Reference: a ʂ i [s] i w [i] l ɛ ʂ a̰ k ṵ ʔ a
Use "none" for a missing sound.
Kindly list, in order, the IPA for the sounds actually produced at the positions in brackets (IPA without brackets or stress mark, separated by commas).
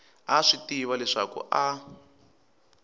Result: t, a